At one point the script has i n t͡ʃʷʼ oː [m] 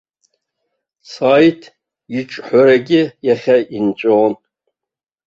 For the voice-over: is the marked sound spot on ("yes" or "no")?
no